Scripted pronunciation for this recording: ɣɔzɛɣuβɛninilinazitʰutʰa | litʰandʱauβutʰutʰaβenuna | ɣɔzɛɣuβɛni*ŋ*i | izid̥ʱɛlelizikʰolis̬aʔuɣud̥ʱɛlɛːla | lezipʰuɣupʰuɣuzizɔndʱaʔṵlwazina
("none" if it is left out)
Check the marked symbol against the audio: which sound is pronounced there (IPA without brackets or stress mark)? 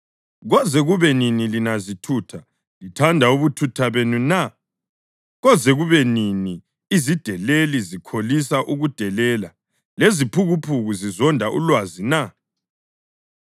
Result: n